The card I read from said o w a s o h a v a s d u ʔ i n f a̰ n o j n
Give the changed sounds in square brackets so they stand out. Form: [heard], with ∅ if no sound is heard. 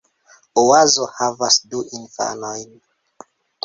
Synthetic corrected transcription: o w a [z] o h a v a s d u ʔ i n f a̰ n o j n

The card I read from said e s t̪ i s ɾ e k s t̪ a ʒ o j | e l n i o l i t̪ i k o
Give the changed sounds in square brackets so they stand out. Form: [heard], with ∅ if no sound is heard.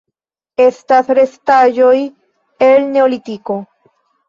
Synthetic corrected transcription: e s t̪ [a] s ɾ e [∅] s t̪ a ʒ o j | e l n [e] o l i t̪ i k o

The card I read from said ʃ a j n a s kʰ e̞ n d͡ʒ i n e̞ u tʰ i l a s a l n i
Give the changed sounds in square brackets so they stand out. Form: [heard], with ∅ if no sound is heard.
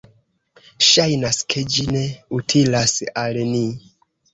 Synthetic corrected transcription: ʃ a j n a s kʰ e̞ [∅] d͡ʒ i n e̞ u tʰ i l a s a l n i

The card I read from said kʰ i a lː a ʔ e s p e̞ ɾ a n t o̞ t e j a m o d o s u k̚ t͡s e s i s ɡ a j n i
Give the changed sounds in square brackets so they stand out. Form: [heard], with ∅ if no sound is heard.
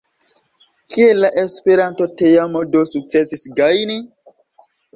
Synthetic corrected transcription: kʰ i [e] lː a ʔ e s p e̞ ɾ a n t o̞ t e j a m o d o s u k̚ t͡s e s i s ɡ a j n i

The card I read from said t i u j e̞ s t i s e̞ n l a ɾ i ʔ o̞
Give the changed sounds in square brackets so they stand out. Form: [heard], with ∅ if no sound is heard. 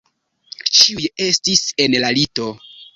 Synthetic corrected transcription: [t͡ʃ] i u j e̞ s t i s e̞ n l a [l] i [t] o̞

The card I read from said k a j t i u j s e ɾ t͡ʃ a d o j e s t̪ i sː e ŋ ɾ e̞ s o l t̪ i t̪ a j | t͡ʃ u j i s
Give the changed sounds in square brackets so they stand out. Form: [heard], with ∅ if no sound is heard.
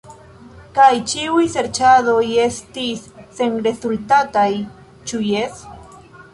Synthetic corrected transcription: k a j [t͡ʃ] i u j s e ɾ t͡ʃ a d o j e s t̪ i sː e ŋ ɾ e̞ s [u] l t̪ [a] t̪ a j | t͡ʃ u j [e] s

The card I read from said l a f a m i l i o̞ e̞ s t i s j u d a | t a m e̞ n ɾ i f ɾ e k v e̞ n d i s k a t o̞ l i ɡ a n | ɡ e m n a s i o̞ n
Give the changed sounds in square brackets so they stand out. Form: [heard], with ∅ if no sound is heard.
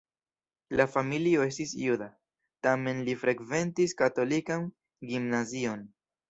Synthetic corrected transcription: l a f a m i l i o̞ e̞ s t i s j u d a | t a m e̞ n [l] i f ɾ e k v e̞ n [t] i s k a t o̞ l i [k] a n | ɡ [i] m n a [z] i o̞ n

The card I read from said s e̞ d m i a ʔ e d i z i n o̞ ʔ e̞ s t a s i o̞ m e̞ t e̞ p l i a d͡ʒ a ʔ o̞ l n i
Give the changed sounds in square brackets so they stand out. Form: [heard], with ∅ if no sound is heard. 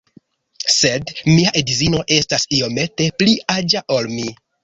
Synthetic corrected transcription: s e̞ d m i a ʔ e d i z i n o̞ ʔ e̞ s t a s i o̞ m e̞ t e̞ p l i a d͡ʒ a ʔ o̞ l [m] i

